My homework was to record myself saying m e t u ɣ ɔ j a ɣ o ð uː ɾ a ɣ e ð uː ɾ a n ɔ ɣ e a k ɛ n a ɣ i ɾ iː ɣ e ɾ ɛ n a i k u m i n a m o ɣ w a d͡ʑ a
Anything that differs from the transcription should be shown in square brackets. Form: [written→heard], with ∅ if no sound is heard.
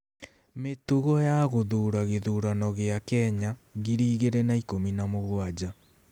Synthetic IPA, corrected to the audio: m e t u ɣ ɔ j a ɣ o ð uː ɾ a ɣ e ð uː ɾ a n ɔ ɣ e a k ɛ [n→ɲ] a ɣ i ɾ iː ɣ e ɾ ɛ n a i k [u→o] m i n a m o ɣ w a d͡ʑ a